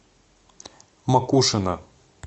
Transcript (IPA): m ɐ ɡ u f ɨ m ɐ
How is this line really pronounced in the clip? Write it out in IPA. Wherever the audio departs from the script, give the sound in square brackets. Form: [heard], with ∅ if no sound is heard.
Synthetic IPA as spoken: m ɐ [k] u [ʂ] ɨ [n] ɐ